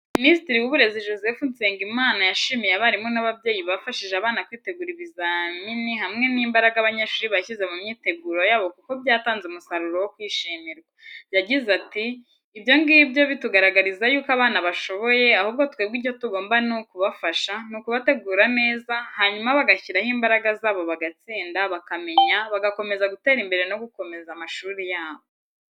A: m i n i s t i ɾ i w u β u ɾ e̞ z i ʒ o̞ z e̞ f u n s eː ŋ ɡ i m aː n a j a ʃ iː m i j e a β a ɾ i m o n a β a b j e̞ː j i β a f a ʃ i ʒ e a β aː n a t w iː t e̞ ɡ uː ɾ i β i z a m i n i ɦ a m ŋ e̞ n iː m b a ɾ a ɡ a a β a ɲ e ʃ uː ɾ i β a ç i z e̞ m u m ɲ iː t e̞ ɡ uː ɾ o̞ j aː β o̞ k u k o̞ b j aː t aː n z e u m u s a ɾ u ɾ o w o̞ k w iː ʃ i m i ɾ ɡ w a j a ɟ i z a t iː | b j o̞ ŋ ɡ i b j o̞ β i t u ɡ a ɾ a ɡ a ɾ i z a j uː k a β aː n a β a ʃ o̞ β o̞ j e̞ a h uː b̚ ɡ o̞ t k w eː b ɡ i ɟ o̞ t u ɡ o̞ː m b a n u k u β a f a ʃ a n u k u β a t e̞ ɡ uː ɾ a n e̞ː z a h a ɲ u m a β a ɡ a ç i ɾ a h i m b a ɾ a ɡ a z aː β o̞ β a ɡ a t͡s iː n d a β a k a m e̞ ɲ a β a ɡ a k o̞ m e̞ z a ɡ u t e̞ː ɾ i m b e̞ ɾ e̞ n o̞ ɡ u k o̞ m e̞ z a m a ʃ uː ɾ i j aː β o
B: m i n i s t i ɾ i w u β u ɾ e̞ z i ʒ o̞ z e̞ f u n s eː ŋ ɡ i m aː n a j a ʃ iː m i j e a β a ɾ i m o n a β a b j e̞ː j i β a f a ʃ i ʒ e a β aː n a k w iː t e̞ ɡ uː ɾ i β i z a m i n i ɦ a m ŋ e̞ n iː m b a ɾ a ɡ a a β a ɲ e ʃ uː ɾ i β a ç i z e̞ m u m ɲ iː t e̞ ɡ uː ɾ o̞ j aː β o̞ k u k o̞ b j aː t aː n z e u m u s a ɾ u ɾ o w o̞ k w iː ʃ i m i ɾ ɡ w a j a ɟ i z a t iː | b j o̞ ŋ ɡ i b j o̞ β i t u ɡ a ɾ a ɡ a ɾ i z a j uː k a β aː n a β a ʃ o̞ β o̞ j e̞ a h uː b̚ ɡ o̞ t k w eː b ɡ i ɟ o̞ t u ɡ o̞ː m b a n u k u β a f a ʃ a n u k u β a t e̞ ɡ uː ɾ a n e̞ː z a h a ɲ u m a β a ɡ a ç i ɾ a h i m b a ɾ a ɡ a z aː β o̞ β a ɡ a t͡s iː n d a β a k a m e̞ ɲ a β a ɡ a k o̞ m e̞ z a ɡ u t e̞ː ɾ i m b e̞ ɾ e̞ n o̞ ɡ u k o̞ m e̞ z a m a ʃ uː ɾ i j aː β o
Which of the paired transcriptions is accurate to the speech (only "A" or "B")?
B